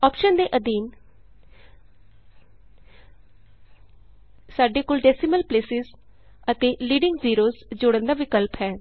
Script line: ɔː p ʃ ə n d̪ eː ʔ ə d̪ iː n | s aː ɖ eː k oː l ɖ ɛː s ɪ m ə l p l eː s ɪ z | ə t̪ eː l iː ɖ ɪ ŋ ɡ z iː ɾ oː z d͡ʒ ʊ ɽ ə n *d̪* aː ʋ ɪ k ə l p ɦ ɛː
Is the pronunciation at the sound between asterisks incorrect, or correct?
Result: correct